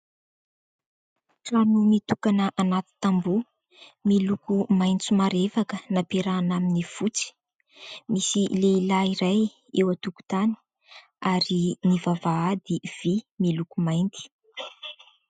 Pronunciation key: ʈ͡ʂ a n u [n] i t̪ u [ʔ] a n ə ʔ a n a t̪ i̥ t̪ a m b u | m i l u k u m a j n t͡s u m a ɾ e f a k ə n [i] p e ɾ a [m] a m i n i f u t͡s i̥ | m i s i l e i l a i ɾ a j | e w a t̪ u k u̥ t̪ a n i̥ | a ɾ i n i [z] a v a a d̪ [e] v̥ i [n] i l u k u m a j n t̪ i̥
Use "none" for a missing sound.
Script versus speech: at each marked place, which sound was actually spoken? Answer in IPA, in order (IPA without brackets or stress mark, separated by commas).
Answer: m, k, a, n, v, i, m